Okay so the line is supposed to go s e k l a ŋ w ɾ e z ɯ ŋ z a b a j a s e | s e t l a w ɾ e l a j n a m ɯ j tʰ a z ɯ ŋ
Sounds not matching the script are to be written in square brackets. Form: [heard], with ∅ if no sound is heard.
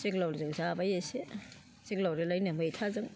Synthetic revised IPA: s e k l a [∅] w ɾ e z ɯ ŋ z a b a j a s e | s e [k] l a w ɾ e l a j n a m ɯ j tʰ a z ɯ ŋ

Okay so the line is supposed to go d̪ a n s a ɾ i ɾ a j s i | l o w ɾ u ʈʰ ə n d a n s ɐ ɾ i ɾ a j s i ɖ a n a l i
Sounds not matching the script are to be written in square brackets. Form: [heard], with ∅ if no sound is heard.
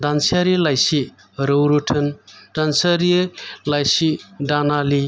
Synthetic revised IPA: d̪ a n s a ɾ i [l] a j s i | [ɾ] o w ɾ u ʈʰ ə n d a n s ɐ ɾ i [l] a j s i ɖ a n a l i

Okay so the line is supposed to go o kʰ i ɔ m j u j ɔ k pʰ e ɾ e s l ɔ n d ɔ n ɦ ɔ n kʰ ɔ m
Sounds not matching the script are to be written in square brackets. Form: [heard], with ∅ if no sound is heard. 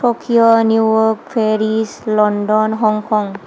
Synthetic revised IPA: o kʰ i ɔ [n] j u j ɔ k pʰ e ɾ [i] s l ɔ n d ɔ n ɦ ɔ [ŋ] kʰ ɔ [ŋ]

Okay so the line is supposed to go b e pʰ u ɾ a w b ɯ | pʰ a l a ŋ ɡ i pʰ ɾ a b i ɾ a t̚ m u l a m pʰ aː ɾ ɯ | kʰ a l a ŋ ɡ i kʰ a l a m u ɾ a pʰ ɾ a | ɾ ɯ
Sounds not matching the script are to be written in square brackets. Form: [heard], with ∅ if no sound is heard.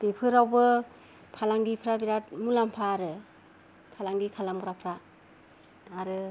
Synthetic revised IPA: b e pʰ [ɯ] ɾ a w b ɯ | pʰ a l a ŋ ɡ i pʰ ɾ a b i ɾ a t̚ m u l a m pʰ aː ɾ ɯ | [pʰ] a l a ŋ ɡ i kʰ a l a m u ɾ a pʰ ɾ a | ɾ ɯ

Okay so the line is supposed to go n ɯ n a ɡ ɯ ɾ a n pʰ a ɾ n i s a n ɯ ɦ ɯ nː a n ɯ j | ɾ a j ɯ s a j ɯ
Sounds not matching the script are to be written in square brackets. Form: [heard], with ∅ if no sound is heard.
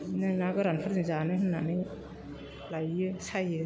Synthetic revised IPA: n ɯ n a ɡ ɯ ɾ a n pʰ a ɾ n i [z] a n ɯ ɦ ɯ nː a n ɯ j | [l] a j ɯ s a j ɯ

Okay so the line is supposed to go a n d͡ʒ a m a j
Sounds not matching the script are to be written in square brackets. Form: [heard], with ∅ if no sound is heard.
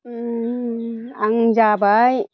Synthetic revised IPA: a [ŋ] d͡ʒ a [b] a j

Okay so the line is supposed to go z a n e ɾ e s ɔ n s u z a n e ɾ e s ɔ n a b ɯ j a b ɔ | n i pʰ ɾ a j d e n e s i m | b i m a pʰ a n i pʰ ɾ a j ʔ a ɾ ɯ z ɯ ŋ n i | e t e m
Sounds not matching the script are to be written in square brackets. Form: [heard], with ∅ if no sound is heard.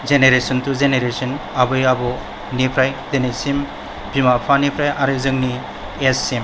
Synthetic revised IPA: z [e] n e ɾ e s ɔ n [t] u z [e] n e ɾ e s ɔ n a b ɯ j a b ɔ | n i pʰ ɾ a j d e n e s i m | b i m a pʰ a n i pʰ ɾ a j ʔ a ɾ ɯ z ɯ ŋ n i | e [s] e m

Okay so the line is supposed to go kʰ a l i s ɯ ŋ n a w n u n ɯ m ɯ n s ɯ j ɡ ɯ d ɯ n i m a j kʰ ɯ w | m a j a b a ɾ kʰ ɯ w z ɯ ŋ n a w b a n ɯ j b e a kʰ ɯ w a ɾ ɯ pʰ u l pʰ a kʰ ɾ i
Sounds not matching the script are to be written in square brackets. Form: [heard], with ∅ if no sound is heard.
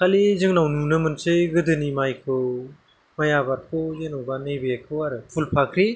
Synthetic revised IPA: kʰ a l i [z] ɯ ŋ n a w n u n ɯ m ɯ n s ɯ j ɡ ɯ d ɯ n i m a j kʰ ɯ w | m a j a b a ɾ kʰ ɯ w z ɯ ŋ n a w b a n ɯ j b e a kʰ ɯ w a ɾ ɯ pʰ u l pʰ a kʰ ɾ i

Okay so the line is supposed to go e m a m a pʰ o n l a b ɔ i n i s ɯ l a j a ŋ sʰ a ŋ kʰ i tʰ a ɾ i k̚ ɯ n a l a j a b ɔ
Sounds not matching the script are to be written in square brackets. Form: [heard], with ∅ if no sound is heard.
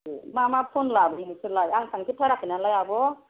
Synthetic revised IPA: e m a m a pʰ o n l a b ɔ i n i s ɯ l a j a ŋ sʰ a ŋ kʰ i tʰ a ɾ [a] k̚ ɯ n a l a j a b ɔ

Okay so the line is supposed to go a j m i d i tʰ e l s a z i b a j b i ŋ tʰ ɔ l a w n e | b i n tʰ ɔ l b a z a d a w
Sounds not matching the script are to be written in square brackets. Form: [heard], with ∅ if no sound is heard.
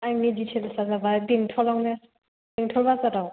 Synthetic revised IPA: a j m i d i tʰ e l s a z [a] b a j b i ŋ tʰ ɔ l a w n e | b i [ŋ] tʰ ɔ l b a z a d a w

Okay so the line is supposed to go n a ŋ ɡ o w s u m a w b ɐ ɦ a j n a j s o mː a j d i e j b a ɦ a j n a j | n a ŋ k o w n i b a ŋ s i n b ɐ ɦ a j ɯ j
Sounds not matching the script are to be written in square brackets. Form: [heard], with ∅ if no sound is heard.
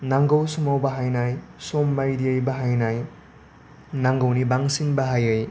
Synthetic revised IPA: n a ŋ ɡ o w s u m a w b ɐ ɦ a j n a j s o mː a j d i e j b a ɦ a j n a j | n a ŋ [ɡ] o w n i b a ŋ s i n b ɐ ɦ a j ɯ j

